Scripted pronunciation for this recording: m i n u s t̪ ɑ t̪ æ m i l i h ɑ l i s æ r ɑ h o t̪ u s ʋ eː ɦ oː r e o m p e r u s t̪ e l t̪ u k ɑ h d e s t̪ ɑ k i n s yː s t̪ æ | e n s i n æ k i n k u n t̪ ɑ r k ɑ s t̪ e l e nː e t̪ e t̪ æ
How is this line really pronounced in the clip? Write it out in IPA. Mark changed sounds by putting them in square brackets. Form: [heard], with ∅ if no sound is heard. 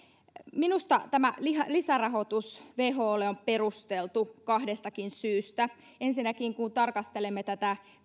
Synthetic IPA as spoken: m i n u s t̪ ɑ t̪ æ m [æ] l i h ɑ l i s æ r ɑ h o t̪ u s ʋ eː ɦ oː [l] e o m p e r u s t̪ e l t̪ u k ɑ h d e s t̪ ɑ k i n s yː s t̪ æ | e n s i n æ k i [ŋ] k u n t̪ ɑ r k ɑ s t̪ e l e [mː] e t̪ [æ] t̪ æ